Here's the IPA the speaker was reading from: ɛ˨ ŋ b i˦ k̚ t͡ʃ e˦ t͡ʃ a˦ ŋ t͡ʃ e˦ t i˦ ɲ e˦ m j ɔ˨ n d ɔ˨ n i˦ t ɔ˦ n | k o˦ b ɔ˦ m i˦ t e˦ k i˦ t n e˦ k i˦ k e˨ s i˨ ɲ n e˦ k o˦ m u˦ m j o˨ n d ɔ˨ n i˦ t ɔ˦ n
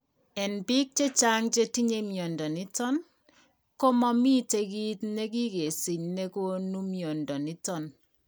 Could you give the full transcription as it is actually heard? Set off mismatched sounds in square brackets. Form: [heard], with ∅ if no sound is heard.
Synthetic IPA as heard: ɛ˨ [n] b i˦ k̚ t͡ʃ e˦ t͡ʃ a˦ ŋ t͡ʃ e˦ t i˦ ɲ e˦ m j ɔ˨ n d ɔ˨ n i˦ t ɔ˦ n | k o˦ [m] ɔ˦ m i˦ t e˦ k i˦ t n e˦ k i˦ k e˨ s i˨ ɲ n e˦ k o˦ [n] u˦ m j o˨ n d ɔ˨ n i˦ t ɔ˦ n